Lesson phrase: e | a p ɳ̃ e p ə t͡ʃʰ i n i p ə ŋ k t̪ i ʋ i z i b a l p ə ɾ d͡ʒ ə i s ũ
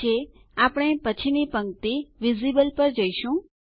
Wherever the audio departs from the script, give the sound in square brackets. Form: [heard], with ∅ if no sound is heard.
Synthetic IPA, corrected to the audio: e | a p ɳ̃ e p ə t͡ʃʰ i n i p ə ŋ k t̪ i ʋ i z i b [ə] l p ə ɾ d͡ʒ ə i [ʃ] ũ